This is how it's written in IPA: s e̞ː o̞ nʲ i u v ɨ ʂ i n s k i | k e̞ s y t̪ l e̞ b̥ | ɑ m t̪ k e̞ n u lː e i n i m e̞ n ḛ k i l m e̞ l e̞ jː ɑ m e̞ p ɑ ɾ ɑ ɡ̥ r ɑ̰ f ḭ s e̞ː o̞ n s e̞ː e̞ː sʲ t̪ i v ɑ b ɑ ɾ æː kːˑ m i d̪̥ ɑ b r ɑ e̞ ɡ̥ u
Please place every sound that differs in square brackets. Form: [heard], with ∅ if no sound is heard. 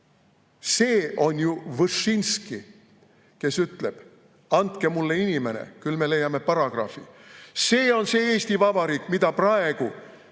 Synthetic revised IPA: s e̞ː o̞ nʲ [j] u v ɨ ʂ i n s k i | k e̞ s y t̪ l e̞ b̥ | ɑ [n] t̪ k e̞ [m] u lː e i n i m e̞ n ḛ k [y] l m e̞ l e̞ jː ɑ m e̞ p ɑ ɾ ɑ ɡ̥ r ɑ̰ f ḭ s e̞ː o̞ n s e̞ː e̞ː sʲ t̪ i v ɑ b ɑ ɾ [iː] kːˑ m i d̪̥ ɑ [p] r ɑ e̞ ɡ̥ u

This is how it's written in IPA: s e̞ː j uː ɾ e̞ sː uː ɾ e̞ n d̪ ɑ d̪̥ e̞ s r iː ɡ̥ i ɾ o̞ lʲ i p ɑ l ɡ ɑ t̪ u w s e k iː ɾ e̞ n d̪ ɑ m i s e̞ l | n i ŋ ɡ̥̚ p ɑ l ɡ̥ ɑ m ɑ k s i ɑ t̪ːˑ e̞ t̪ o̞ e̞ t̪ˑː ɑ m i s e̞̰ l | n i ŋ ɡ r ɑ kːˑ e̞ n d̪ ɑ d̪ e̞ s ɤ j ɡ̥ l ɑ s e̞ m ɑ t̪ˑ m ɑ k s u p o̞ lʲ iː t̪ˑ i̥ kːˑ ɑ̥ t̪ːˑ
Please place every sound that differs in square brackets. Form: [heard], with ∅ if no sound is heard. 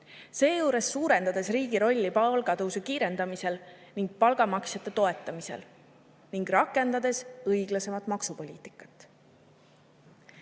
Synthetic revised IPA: s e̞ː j uː ɾ e̞ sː uː ɾ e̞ n d̪ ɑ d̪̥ e̞ s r iː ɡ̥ i ɾ o̞ [lʲː] i p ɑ l ɡ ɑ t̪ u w s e k iː ɾ e̞ n d̪ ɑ m i s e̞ l | n i ŋ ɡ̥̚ p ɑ l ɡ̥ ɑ m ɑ k s [j] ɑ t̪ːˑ e̞ t̪ o̞ e̞ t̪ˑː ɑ m i s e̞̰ l | n i ŋ ɡ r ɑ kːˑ e̞ n d̪ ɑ d̪ e̞ s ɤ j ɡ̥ l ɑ s e̞ m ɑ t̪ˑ m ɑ k s u p o̞ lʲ iː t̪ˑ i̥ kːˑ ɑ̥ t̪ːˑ

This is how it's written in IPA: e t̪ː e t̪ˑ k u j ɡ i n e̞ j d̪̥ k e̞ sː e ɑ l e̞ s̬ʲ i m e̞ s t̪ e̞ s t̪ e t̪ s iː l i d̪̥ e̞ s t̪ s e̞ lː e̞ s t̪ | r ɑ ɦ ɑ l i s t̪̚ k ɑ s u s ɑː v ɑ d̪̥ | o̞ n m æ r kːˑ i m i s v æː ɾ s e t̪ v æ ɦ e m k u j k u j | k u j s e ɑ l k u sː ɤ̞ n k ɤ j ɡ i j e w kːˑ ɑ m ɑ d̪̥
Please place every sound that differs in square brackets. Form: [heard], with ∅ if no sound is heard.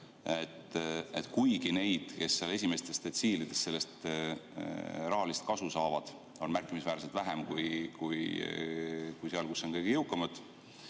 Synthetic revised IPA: e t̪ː e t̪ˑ k u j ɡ i n e̞ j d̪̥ k e̞ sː e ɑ l e̞ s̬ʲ i m e̞ s t̪ e̞ s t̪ e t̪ s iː l i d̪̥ e̞ s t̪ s e̞ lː e̞ s t̪ | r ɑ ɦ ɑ l i s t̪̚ k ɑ s u s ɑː v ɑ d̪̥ | o̞ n m æ r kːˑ i m i s v æː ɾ s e t̪ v æ ɦ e m k u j k u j | k u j s e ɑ l k u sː [o̞] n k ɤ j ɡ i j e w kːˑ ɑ m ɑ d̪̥

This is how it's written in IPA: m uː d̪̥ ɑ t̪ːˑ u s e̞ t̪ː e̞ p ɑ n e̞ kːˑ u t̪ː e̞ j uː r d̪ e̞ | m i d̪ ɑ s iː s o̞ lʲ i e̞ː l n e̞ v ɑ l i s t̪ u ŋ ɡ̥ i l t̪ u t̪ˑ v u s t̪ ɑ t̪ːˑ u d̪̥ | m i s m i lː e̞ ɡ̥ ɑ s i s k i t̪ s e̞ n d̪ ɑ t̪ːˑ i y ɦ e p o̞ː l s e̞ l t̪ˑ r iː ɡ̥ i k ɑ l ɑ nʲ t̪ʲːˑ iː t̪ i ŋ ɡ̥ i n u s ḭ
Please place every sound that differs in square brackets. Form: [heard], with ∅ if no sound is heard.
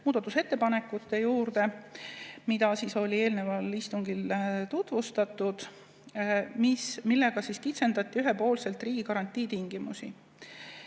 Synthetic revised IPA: m uː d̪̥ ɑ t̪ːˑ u s e̞ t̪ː e̞ p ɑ n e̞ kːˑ u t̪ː e̞ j uː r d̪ e̞ | m i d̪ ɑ s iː s o̞ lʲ i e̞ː l n e̞ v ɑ l i s t̪ u ŋ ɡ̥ i l t̪ u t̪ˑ v u s t̪ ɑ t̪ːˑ u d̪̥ | m i s m i lː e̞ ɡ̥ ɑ s i s k i t̪ s e̞ n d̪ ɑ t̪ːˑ i y ɦ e p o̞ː l s e̞ l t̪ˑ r iː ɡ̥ i k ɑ [ɾ] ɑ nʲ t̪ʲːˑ iː t̪ i ŋ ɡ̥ i [m] u s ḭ

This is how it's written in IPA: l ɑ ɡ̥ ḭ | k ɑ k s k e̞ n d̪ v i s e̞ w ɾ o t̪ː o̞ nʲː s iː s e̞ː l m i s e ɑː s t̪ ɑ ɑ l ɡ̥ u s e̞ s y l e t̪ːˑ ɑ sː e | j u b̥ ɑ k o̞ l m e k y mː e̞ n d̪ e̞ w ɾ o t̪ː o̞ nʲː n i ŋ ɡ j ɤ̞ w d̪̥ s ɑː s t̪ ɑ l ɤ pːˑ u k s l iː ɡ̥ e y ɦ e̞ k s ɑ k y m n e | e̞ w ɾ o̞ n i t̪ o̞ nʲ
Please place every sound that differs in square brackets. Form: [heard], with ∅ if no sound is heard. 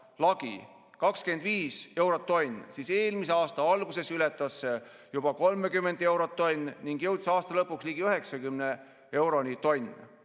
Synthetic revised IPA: l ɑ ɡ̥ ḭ | k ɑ k s k e̞ n d̪ v [iː] s e̞ w ɾ o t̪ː o̞ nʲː s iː s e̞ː l m i s e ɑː s t̪ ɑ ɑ l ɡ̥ u s e̞ s y l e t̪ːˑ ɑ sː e | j u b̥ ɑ k o̞ l m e k y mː e̞ n d̪ e̞ w ɾ o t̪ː o̞ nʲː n i ŋ ɡ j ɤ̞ w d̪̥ s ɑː s t̪ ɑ l ɤ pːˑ u k s l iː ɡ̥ [i] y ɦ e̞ k s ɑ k y m n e | e̞ w ɾ o̞ n i t̪ o̞ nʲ

